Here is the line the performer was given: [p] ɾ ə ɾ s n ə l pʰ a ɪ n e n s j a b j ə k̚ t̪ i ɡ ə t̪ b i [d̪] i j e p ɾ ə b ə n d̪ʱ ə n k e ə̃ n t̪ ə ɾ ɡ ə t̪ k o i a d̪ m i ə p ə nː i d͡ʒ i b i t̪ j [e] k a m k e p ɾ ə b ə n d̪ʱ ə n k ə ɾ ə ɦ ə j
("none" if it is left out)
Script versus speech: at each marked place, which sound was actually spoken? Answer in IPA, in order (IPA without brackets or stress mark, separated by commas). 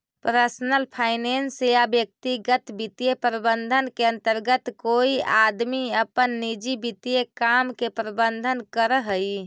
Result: p, t̪, e